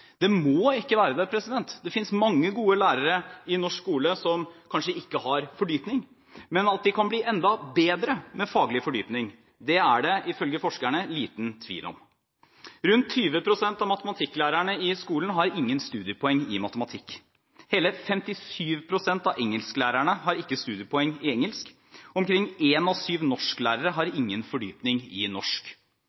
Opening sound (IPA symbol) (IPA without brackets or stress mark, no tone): d̪